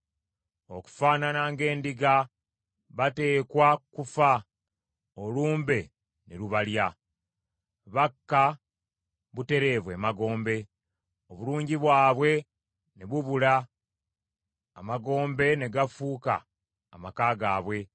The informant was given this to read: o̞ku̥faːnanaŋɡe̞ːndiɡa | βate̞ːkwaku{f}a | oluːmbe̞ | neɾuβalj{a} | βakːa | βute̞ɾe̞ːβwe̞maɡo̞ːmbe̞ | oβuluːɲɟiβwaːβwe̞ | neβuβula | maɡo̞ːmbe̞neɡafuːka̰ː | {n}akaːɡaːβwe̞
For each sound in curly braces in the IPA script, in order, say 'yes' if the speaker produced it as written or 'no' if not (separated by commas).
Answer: yes, yes, no